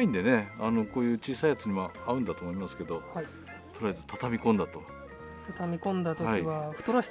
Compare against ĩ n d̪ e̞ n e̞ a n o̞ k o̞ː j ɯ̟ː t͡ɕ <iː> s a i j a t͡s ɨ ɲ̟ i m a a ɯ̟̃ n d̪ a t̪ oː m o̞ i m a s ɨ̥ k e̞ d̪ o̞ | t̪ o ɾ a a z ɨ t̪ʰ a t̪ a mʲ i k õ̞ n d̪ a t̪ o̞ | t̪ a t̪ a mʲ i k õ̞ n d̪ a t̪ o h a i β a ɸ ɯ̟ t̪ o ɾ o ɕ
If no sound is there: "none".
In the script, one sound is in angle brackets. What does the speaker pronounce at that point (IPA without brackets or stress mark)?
iː